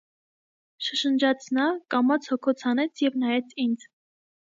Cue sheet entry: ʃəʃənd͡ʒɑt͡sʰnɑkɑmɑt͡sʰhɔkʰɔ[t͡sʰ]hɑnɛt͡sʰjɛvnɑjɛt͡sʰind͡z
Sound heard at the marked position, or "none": t͡sʰ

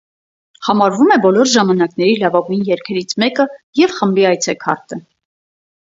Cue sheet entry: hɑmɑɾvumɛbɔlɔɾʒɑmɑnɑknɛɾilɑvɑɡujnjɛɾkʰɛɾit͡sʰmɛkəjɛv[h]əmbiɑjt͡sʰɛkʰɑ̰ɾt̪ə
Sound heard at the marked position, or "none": χ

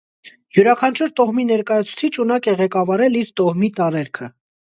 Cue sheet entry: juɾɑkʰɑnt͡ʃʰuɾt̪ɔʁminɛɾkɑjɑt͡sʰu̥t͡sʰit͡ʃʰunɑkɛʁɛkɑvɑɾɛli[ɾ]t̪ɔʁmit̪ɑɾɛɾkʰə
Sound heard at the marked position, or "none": ɾ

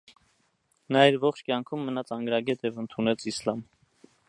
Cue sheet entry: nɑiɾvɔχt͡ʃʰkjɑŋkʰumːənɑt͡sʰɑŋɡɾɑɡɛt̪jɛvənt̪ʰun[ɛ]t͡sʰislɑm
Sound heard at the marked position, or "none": ɛ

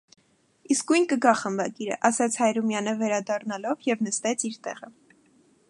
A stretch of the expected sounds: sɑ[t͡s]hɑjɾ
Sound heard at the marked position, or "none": t͡sʰ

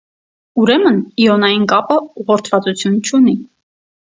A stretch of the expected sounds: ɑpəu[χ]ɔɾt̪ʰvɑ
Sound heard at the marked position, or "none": ʁ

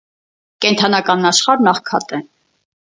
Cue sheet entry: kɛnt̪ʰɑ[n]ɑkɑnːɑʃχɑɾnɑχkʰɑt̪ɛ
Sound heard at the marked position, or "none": n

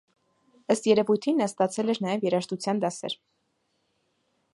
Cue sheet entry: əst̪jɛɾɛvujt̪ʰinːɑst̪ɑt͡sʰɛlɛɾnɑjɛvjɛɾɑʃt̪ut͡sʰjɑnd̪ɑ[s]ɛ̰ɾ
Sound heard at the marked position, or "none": s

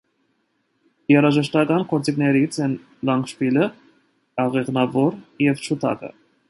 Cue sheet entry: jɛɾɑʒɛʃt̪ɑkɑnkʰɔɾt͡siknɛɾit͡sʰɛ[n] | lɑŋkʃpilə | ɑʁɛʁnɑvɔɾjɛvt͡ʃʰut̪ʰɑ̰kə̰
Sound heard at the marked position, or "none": n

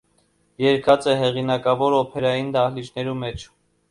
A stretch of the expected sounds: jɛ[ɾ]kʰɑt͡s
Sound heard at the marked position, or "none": ɾ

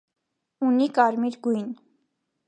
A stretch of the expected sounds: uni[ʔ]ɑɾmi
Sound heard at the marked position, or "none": k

